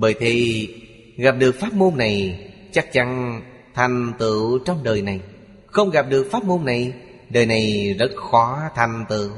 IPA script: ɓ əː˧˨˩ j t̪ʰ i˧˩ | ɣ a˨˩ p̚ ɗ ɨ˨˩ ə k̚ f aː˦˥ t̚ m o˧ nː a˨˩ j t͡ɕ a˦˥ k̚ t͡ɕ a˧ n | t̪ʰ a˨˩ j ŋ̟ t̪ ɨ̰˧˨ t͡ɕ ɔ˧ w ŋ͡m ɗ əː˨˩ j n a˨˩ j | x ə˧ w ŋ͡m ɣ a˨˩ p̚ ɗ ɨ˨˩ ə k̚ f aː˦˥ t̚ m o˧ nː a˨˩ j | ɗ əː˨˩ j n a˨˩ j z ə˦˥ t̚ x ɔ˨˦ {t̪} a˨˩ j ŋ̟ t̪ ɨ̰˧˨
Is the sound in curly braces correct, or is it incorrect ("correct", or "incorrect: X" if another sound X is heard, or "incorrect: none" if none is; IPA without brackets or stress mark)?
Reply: incorrect: t̪ʰ